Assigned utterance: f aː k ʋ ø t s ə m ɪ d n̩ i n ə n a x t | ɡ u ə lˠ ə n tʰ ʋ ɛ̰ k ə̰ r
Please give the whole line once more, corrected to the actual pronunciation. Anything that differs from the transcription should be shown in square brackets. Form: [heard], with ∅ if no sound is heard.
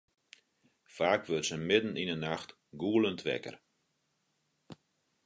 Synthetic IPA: f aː k ʋ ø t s ə m ɪ d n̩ i n ə n a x t | ɡ u ə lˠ ə n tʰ ʋ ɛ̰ k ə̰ r